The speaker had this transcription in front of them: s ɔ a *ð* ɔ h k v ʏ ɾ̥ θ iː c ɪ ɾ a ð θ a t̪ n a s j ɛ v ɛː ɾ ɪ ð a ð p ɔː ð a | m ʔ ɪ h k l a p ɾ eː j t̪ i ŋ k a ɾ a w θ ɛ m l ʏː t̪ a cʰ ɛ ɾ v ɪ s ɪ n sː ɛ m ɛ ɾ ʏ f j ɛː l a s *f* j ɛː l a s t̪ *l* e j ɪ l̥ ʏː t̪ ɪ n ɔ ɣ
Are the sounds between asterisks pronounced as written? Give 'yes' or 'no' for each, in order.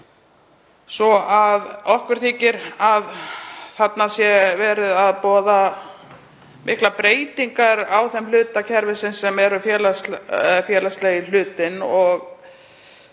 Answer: yes, yes, yes

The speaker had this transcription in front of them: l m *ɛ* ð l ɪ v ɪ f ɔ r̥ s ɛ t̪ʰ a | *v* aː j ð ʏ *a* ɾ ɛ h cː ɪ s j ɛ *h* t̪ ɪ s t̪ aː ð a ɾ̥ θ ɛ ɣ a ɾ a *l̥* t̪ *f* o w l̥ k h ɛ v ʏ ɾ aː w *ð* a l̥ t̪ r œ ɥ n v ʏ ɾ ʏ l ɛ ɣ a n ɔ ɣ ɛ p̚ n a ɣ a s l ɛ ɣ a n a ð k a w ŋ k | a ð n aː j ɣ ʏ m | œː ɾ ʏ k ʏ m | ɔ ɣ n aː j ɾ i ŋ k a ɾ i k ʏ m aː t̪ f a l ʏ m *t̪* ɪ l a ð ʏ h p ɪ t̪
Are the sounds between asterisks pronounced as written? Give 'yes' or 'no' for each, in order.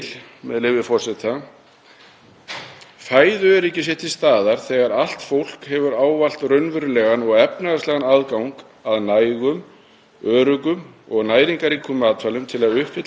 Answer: yes, no, no, yes, yes, yes, no, no

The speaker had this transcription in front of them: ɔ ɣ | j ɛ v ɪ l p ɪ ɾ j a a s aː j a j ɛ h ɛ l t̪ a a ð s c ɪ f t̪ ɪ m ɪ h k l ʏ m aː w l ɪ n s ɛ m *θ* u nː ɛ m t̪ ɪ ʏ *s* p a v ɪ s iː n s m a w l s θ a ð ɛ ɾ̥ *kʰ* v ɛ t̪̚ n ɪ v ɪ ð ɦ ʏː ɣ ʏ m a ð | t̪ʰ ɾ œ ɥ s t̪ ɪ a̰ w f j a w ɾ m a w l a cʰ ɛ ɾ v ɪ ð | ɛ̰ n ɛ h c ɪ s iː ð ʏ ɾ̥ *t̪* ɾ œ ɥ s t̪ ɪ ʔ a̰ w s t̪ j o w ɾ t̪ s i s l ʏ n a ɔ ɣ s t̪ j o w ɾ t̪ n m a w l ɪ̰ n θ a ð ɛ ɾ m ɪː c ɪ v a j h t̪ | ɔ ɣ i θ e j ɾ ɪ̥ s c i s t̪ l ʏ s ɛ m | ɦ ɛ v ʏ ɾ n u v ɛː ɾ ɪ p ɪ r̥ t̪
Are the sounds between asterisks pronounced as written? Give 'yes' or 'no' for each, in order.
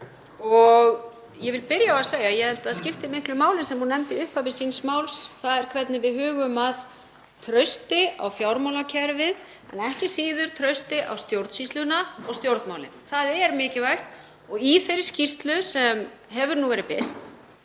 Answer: no, no, yes, no

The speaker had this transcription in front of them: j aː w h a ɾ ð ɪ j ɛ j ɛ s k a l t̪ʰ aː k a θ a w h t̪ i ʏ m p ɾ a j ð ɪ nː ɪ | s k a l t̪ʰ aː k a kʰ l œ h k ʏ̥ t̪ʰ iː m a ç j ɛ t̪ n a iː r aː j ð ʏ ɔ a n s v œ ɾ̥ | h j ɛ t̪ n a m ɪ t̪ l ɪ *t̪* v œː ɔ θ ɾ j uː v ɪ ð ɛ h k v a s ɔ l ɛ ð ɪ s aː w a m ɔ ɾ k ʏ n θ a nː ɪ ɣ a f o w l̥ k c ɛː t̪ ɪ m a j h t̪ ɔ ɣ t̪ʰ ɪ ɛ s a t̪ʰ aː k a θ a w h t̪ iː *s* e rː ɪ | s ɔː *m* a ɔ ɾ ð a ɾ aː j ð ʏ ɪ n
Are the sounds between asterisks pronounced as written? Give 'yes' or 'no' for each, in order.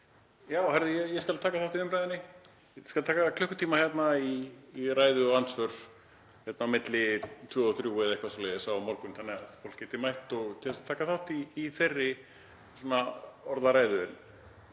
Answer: no, no, no

